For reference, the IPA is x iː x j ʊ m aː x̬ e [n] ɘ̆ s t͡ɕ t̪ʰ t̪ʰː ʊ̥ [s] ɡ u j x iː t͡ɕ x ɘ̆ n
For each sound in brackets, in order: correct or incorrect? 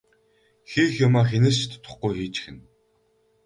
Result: correct, incorrect

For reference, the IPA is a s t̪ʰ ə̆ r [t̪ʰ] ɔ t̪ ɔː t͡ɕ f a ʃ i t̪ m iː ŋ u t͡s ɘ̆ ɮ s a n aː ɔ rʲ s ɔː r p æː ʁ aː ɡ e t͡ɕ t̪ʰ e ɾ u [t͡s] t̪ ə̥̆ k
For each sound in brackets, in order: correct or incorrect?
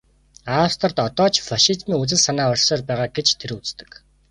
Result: incorrect, correct

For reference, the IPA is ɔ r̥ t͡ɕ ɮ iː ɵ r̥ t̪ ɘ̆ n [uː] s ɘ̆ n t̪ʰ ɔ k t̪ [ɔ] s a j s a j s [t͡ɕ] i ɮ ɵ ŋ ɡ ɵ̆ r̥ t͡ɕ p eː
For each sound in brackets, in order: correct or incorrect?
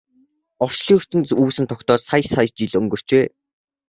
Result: correct, incorrect, correct

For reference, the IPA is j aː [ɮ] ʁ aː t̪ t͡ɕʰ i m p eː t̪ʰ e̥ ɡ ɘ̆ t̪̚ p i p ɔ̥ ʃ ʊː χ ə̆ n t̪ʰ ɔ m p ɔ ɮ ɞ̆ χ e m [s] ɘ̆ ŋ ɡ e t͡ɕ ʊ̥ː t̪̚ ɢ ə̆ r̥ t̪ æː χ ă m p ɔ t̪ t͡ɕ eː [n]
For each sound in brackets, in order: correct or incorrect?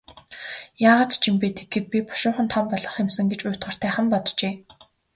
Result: incorrect, correct, incorrect

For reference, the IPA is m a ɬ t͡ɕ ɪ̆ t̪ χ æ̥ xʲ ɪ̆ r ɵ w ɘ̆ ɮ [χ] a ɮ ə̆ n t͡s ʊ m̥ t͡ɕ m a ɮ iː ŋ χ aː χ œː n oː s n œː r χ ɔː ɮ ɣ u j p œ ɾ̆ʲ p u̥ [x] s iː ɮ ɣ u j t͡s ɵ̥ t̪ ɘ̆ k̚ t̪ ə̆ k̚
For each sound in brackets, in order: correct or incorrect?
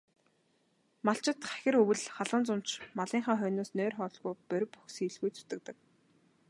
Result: correct, correct

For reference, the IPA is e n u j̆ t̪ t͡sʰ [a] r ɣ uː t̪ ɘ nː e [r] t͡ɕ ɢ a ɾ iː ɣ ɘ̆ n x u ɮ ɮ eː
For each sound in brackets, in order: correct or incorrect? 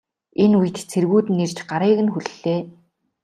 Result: incorrect, correct

